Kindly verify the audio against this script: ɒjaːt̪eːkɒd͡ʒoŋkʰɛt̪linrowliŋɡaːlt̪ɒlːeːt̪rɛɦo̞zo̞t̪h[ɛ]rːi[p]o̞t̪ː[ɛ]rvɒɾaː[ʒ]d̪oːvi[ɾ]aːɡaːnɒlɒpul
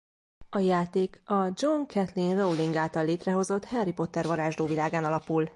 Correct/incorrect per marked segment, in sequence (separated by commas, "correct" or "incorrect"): correct, correct, correct, correct, incorrect